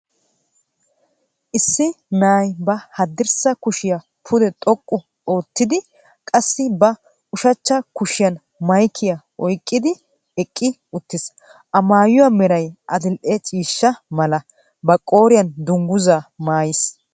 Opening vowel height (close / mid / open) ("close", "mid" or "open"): close